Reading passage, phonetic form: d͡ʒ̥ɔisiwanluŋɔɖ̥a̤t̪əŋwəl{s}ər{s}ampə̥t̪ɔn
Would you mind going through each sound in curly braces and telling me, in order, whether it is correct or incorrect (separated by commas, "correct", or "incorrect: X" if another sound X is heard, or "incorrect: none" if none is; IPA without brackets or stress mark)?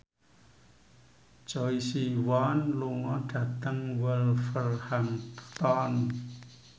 incorrect: f, incorrect: h